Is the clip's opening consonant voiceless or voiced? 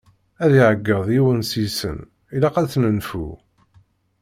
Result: voiced